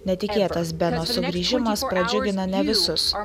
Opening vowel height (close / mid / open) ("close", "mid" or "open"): mid